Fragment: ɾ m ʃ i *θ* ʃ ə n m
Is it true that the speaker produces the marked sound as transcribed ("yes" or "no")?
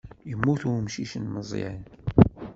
no